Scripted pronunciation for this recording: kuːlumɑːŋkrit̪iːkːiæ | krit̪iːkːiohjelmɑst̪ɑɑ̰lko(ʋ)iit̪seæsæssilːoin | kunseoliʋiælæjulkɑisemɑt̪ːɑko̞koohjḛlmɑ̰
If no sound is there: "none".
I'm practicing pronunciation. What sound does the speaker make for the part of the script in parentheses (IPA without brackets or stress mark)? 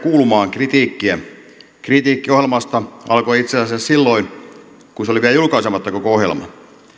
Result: none